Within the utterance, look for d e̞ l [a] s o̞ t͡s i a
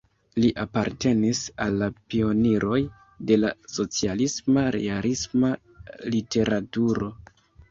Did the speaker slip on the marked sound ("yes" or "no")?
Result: no